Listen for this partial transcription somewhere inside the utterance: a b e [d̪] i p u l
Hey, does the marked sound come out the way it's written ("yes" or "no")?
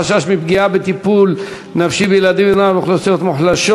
no